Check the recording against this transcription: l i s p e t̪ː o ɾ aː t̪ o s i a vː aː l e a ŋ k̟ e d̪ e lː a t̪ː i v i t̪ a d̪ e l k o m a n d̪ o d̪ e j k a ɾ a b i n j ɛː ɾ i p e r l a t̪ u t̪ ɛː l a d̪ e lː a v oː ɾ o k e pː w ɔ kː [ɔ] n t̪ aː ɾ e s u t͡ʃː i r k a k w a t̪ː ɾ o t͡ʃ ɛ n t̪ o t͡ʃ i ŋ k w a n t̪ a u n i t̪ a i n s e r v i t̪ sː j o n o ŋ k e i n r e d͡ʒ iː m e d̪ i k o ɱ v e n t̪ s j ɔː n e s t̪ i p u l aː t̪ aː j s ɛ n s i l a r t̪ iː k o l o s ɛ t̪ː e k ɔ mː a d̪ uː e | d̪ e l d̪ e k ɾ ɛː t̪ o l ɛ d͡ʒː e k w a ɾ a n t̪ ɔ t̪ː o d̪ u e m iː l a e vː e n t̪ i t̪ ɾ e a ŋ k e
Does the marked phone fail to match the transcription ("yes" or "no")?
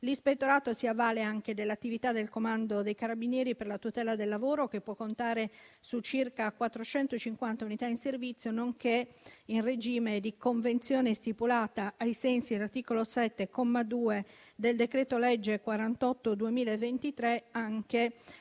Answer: yes